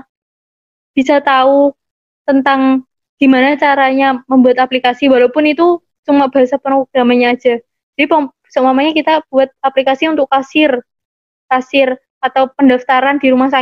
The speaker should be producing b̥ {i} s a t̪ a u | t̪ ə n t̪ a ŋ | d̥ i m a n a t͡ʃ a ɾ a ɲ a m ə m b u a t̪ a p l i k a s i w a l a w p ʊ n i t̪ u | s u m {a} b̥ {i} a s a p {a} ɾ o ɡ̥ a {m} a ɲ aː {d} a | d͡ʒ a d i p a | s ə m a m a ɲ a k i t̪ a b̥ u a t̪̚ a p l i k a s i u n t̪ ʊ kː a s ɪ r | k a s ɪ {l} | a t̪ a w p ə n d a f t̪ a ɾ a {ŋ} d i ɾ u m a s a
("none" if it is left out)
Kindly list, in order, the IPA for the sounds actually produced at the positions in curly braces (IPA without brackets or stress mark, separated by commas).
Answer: i, a, a, ə, m, d͡ʒ, r, n